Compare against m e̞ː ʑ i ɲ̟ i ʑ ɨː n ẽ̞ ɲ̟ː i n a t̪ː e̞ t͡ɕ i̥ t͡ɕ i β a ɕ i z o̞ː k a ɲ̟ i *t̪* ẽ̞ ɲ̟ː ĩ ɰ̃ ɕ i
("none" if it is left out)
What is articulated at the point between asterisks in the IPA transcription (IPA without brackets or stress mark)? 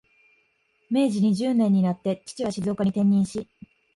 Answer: t̪